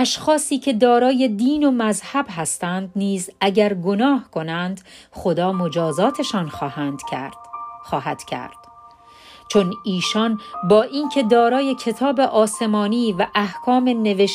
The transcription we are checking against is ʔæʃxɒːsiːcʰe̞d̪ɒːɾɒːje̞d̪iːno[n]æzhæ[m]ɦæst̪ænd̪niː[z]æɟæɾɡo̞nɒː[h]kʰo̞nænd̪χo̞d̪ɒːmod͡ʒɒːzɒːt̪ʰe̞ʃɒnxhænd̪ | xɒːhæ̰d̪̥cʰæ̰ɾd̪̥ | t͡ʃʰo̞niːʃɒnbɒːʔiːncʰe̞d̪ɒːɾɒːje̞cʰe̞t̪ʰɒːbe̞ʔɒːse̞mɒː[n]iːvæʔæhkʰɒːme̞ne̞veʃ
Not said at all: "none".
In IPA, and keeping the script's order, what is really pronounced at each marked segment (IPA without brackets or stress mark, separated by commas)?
m, b, z, h, n